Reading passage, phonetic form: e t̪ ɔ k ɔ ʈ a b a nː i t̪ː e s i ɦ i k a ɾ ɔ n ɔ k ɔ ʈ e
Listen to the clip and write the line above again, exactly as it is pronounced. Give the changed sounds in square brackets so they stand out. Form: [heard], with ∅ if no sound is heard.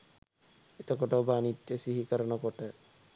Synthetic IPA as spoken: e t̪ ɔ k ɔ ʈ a b a [n] i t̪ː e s i ɦ i k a ɾ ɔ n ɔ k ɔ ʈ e